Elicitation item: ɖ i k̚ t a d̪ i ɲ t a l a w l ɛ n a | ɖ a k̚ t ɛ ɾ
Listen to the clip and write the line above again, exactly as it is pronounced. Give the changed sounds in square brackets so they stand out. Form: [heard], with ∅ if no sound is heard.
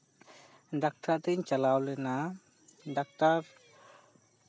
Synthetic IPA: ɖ [a] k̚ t a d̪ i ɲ [t͡ʃ] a l a w l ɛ n a | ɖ a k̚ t [a] ɾ